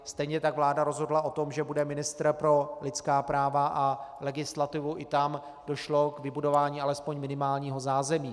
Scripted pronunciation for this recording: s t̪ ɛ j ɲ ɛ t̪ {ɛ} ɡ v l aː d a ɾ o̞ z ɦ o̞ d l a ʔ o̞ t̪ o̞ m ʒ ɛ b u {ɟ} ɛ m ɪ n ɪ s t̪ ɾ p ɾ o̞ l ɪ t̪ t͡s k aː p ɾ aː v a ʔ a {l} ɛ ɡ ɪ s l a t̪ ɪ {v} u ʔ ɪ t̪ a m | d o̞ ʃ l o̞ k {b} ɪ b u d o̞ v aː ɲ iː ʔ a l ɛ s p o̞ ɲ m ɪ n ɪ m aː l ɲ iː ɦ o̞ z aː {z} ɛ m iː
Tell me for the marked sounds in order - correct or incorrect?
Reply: incorrect, incorrect, correct, correct, incorrect, correct

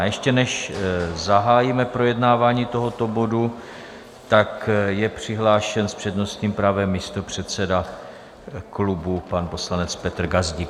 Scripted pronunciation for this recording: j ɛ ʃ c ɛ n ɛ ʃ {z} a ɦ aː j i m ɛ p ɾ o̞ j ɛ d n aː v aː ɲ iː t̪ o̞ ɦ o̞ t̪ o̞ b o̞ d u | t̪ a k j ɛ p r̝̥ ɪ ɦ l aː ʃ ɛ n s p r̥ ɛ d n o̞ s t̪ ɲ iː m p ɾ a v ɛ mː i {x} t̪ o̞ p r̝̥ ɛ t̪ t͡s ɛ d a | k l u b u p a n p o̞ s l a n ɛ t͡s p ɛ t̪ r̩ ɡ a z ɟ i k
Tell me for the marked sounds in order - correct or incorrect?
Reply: correct, incorrect

